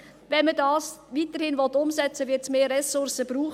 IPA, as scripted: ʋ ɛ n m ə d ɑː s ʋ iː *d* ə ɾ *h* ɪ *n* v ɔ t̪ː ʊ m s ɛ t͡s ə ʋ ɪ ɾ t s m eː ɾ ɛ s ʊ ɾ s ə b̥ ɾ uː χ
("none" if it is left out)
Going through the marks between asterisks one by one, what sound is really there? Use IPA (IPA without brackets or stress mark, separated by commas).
t, h, n